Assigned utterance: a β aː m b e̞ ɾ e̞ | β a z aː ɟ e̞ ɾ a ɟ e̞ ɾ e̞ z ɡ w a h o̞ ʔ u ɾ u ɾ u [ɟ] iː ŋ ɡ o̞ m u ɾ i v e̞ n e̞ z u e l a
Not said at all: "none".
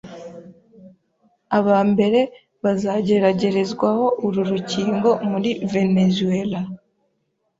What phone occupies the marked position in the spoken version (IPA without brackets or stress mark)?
c